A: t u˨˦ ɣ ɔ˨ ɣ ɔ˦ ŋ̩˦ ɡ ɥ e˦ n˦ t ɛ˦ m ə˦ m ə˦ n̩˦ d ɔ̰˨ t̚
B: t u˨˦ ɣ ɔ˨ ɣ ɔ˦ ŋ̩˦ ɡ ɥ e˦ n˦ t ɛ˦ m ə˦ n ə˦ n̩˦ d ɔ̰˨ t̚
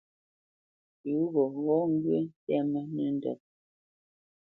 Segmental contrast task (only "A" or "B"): B